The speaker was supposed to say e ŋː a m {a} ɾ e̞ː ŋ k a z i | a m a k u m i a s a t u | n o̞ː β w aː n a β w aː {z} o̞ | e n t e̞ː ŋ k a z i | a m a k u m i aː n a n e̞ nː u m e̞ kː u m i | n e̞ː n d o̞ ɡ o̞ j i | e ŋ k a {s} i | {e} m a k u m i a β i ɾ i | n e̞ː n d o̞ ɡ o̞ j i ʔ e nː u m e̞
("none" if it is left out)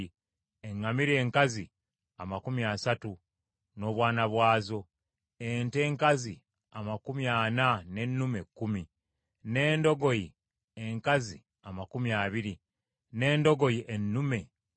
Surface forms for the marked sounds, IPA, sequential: i, z, z, a

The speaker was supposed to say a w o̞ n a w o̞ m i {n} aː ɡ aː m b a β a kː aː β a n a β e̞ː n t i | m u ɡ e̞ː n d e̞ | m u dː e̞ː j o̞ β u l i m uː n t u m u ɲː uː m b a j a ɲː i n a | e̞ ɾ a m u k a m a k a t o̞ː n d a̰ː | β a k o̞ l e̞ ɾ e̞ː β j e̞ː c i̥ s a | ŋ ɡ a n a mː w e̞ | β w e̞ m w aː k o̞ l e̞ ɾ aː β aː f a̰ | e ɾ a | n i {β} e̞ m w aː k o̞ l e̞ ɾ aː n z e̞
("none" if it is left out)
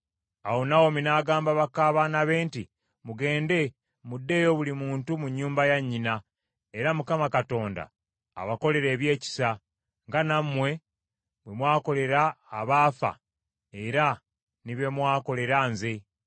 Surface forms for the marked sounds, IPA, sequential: n, β

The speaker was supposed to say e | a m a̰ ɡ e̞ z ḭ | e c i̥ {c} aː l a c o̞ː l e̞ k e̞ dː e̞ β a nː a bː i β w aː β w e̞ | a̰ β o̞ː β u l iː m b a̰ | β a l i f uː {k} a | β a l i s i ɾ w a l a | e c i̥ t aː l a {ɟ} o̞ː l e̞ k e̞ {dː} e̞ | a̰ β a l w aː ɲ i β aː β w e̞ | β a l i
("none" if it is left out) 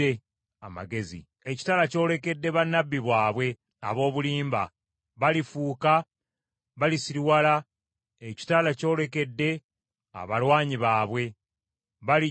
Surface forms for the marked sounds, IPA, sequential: t, k, c, dː

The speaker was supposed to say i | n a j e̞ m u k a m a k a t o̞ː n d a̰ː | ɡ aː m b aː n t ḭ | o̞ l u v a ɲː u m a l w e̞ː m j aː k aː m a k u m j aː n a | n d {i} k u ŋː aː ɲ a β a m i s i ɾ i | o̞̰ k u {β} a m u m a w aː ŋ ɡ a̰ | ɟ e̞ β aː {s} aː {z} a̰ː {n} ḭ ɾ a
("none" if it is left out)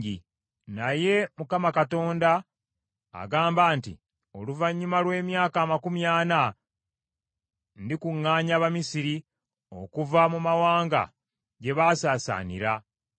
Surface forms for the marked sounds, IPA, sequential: i, v, s, s, n

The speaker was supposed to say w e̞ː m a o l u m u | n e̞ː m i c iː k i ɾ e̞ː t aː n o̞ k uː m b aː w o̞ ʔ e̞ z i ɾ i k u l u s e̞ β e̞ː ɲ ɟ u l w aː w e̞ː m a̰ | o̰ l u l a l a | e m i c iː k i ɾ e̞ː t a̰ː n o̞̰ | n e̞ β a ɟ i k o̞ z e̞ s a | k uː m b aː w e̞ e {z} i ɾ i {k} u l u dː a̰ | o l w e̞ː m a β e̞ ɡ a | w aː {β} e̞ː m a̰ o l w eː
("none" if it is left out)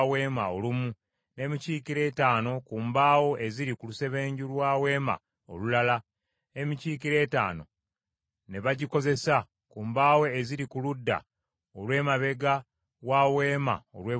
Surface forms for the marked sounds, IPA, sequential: z, k, w

